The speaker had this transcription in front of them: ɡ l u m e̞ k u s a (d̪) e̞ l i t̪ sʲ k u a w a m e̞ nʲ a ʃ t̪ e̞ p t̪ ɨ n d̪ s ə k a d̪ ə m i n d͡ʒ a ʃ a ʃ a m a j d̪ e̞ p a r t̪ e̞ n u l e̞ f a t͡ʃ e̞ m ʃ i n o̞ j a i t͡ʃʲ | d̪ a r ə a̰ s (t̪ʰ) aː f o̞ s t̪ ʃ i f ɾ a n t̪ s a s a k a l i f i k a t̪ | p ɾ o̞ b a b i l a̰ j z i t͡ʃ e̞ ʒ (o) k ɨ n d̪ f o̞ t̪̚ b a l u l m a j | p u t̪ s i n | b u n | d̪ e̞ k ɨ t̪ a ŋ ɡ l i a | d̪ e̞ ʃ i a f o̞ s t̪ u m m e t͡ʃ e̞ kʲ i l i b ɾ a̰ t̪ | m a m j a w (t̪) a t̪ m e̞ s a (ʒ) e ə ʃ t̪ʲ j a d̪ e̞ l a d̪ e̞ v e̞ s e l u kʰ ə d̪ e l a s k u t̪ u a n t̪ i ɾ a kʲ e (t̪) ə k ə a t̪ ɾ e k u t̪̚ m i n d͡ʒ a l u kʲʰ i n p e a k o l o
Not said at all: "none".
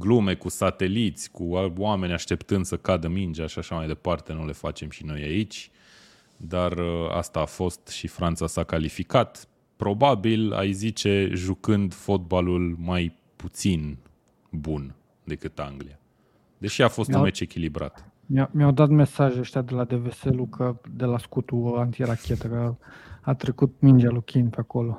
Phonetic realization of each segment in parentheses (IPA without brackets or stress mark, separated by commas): t̪, t̪, u, d̪, ʒ, t̪